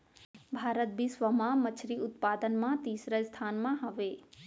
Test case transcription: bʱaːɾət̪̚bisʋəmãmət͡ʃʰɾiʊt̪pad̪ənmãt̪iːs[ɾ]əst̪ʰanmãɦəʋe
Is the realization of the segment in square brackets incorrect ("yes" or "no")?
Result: no